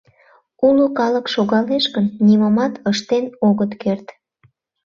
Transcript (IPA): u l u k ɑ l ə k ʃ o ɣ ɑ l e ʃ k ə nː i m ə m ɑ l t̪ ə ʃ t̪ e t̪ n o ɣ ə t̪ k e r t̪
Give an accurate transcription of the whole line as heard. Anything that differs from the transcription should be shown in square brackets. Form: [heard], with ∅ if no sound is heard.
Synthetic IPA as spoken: u l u k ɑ l ə k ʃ o ɣ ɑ l e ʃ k ə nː i m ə m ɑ [∅] t̪ ə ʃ t̪ e [∅] n o ɣ ə t̪ k e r t̪